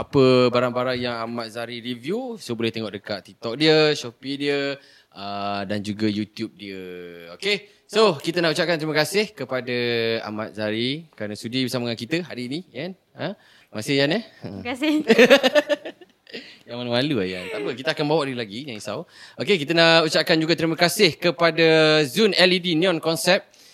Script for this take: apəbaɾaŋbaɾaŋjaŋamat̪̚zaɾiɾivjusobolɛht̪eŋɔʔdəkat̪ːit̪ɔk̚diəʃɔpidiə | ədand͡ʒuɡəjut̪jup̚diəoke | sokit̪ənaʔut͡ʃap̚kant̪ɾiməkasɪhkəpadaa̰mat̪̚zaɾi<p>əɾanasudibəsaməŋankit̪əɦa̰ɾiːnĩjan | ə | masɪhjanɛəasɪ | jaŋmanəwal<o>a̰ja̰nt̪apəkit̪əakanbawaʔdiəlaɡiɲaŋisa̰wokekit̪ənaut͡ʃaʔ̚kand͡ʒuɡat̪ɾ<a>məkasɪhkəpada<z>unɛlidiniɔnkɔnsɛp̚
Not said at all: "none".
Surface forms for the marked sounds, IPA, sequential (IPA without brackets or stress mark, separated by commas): k, u, i, z